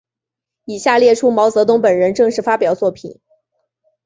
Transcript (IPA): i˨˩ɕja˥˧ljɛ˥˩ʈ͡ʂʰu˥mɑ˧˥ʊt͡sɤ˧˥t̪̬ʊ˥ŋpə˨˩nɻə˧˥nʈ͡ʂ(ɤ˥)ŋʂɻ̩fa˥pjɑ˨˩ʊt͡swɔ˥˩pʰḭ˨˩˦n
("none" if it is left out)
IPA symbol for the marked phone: ɤ˥˧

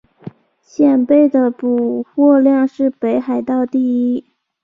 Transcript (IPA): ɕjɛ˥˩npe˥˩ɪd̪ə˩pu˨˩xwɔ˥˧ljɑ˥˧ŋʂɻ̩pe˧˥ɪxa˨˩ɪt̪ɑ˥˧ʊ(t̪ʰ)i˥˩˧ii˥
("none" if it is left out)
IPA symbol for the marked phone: t̪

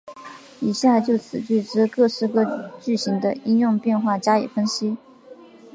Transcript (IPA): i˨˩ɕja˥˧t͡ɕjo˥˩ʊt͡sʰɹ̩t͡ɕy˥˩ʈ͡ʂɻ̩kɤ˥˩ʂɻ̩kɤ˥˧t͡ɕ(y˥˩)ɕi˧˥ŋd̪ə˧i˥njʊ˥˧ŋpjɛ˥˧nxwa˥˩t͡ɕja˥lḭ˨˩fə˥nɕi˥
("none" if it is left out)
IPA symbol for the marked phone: y˥˩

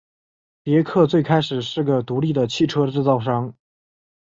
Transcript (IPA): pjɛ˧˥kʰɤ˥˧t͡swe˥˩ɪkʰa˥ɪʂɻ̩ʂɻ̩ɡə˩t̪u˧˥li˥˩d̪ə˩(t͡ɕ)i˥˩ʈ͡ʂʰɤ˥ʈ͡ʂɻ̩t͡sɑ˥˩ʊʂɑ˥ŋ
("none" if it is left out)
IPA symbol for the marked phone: t͡ɕʰ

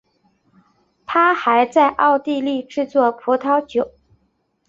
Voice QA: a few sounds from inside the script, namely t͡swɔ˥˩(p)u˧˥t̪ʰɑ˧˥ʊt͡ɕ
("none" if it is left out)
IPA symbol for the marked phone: pʰ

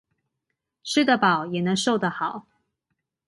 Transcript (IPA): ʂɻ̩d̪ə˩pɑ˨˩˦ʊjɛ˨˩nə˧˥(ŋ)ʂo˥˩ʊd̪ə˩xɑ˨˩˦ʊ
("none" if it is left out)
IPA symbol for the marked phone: ŋ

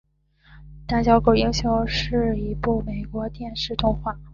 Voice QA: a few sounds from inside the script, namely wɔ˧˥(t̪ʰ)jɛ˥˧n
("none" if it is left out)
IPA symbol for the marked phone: t̪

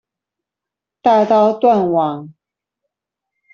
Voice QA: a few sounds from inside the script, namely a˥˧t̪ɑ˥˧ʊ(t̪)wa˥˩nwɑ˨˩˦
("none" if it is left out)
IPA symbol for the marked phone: t̪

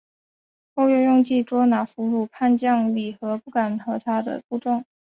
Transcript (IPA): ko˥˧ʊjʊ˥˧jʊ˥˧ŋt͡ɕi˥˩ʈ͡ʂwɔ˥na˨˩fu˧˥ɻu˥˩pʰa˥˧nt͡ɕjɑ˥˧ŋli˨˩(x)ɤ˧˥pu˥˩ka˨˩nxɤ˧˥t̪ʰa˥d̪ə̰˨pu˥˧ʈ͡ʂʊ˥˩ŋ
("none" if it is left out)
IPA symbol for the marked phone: x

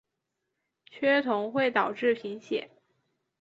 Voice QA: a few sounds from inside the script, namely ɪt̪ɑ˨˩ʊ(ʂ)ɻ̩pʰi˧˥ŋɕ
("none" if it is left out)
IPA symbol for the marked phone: ʈ͡ʂ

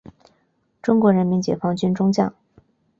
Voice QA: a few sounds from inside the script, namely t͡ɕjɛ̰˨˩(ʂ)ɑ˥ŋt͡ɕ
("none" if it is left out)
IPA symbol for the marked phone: f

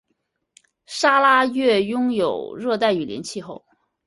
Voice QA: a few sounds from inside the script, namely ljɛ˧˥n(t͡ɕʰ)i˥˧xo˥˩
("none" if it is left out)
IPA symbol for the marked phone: t͡ɕʰ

